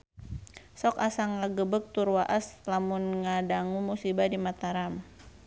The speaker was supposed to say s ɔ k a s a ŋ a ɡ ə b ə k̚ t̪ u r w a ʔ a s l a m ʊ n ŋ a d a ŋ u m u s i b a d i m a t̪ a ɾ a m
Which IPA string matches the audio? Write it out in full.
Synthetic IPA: s ɔ k a s a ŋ a ɡ ə b ə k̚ t̪ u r w a ʔ a s l a m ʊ n ŋ a d a ŋ u m u s i b a d i m a t̪ a ɾ a m